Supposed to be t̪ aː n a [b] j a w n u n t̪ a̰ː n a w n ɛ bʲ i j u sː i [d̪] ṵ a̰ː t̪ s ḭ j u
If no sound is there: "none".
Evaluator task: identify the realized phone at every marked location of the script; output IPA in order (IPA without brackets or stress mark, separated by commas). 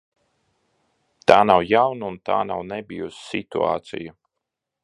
w, t̪